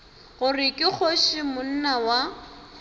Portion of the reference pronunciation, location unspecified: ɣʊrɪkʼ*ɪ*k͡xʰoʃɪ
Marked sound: correct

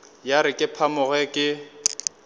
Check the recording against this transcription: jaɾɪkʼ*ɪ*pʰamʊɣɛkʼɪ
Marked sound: correct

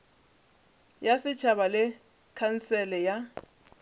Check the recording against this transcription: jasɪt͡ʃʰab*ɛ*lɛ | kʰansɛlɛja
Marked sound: incorrect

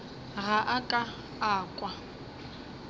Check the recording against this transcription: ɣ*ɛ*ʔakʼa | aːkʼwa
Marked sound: incorrect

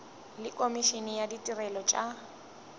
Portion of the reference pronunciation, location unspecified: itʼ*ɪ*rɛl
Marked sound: incorrect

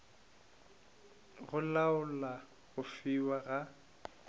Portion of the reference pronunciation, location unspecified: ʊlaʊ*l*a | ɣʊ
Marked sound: correct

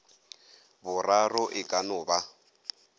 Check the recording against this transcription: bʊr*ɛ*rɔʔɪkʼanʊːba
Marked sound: incorrect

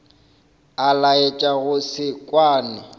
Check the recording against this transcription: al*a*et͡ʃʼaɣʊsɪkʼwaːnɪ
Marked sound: correct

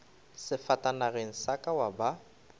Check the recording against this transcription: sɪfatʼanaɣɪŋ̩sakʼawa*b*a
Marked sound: correct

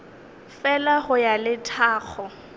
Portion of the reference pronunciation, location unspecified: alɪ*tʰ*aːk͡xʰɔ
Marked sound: correct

